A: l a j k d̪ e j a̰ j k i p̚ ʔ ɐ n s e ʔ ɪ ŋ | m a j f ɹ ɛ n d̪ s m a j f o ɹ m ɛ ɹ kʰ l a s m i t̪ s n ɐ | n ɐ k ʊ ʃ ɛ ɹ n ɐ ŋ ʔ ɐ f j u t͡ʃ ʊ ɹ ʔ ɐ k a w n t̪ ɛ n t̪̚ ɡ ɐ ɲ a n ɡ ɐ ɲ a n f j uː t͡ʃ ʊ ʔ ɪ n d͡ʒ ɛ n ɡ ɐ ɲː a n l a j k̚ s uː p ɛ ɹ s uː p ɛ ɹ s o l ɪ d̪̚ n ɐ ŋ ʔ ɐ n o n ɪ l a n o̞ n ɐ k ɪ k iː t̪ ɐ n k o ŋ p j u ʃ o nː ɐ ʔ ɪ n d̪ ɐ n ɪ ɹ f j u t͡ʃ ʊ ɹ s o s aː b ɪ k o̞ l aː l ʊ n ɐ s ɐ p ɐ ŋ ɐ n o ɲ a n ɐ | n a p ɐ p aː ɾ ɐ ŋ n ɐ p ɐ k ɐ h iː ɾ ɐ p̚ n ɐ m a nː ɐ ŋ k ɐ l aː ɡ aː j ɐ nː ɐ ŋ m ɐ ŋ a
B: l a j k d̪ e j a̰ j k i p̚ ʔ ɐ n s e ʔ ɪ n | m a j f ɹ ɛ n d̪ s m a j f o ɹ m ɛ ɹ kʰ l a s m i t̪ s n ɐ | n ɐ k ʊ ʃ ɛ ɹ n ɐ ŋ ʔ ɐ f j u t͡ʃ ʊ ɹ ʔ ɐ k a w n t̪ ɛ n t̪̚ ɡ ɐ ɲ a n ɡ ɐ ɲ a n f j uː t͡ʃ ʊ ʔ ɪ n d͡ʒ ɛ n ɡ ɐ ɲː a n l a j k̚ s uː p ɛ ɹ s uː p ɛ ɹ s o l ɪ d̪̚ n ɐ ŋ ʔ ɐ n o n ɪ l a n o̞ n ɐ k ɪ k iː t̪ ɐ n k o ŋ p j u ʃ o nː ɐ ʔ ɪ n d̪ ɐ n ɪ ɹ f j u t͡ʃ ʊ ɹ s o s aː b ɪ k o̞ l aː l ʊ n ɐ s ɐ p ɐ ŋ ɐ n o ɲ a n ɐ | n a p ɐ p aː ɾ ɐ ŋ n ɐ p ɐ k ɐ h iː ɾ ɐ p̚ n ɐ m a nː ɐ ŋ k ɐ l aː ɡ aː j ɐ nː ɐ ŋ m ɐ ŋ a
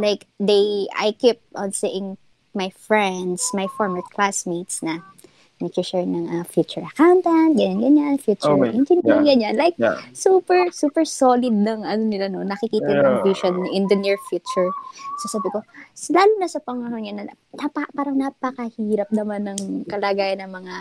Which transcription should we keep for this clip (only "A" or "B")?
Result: A